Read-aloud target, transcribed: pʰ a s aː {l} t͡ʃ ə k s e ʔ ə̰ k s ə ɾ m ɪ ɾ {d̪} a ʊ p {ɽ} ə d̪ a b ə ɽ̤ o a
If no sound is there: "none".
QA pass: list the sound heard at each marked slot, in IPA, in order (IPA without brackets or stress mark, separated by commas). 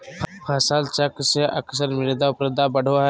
l, d̪, ɾ